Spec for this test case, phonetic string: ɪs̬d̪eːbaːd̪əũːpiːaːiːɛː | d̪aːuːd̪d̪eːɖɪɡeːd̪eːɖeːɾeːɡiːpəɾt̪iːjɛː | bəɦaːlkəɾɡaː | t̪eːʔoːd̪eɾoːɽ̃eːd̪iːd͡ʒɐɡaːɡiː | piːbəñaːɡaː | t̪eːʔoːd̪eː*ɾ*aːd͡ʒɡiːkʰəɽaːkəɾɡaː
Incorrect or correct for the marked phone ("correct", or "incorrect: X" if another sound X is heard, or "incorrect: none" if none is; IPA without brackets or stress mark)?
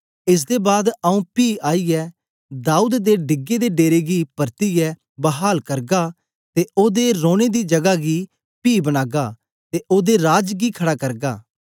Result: correct